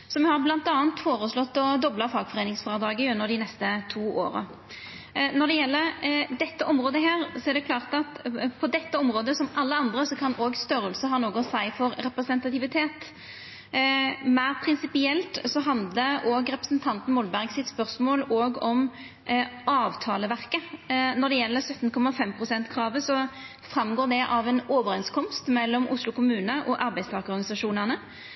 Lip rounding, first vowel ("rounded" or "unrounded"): rounded